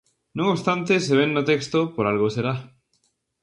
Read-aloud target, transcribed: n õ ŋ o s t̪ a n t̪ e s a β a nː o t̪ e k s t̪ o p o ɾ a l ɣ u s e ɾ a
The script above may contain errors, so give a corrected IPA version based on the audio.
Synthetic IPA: n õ ŋ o s t̪ a n t̪ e s e β e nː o t̪ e k s t̪ o p o ɾ a l ɣ o s e ɾ a